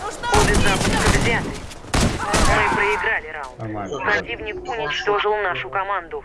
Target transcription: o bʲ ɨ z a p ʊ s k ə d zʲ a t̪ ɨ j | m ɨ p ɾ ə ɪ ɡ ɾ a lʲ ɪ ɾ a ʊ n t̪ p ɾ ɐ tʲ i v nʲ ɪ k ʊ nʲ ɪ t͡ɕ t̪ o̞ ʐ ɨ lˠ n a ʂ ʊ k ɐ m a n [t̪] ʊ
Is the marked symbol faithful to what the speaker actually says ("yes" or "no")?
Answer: no